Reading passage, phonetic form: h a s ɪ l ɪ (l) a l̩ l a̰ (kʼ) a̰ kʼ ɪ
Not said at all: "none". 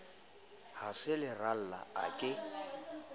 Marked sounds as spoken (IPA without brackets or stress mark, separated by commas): r, none